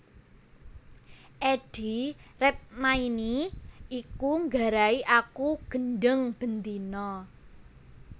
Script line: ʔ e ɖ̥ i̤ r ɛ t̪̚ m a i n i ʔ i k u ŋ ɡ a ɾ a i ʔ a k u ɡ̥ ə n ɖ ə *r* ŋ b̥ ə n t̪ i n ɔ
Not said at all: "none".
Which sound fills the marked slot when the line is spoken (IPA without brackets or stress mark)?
none